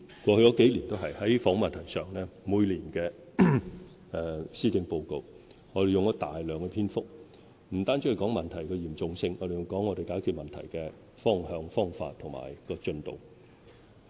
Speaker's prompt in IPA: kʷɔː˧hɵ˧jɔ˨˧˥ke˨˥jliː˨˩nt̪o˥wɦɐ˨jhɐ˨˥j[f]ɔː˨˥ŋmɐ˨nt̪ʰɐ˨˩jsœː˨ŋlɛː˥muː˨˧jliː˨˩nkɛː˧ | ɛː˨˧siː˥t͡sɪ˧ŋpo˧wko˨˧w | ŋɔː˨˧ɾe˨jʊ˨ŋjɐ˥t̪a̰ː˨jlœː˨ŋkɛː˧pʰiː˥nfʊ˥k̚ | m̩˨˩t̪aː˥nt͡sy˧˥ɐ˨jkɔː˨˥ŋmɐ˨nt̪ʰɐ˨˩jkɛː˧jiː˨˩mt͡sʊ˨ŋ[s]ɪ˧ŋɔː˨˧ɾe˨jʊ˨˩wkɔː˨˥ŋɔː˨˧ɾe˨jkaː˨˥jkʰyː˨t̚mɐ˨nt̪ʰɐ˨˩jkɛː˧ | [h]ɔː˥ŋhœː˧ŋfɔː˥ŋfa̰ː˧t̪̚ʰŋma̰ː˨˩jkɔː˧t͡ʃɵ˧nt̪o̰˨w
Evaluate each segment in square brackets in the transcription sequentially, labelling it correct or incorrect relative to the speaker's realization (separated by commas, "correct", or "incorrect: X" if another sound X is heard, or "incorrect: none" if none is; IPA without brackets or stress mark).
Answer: correct, correct, incorrect: f